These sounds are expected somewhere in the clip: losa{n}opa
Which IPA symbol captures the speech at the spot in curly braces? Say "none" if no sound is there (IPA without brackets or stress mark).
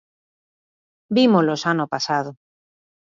n